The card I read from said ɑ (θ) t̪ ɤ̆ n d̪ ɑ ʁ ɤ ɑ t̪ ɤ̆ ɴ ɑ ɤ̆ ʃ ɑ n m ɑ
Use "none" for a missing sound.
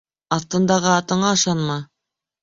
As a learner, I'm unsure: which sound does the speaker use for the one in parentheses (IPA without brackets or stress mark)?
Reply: θ